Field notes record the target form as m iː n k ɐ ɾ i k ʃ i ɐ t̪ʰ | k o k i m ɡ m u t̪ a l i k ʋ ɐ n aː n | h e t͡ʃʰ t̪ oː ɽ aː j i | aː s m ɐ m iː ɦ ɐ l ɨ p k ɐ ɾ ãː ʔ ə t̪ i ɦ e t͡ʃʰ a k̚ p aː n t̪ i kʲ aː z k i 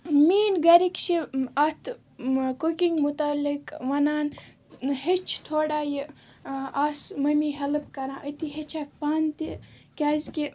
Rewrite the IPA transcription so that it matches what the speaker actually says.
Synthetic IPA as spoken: m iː n ɡ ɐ ɾ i k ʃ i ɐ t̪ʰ | k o k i ŋ ɡ m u t̪ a l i k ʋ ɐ n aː n | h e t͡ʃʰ t̪ʰ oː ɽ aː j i | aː s m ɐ m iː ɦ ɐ l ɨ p k ɐ ɾ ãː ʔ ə t̪ i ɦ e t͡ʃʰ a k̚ p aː n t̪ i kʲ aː z k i